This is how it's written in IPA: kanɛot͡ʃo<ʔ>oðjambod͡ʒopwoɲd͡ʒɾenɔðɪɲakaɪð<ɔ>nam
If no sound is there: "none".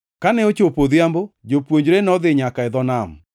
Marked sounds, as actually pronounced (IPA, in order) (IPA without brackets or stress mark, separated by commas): p, ɔ